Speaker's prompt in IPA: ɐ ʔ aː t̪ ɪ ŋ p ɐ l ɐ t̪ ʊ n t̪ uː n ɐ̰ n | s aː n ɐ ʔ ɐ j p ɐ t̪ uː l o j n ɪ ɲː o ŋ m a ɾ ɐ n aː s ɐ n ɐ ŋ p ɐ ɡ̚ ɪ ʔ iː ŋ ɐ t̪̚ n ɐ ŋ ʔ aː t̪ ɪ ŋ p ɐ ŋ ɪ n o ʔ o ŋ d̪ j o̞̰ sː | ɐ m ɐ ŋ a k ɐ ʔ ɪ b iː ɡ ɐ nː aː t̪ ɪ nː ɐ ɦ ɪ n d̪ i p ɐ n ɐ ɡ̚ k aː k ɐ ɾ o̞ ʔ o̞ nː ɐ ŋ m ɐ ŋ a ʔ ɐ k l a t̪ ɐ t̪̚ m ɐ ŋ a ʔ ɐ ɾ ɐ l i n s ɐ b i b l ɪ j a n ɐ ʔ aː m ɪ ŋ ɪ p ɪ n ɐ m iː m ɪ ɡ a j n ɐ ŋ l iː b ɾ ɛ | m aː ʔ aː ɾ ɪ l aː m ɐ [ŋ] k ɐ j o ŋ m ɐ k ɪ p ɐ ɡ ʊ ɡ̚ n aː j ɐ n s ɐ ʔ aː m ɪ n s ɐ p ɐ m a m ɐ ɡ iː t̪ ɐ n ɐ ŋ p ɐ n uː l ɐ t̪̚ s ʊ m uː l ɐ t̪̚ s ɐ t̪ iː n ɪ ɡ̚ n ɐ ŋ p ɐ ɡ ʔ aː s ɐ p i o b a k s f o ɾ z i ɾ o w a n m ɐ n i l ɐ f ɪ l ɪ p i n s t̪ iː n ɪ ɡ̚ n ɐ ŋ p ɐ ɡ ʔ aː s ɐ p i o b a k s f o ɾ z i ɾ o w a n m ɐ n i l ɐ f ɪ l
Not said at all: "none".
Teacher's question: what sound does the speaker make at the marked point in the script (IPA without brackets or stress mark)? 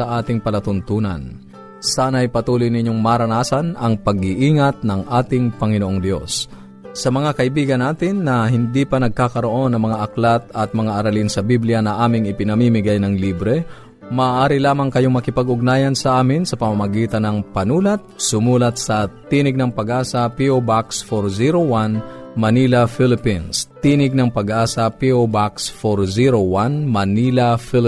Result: ŋ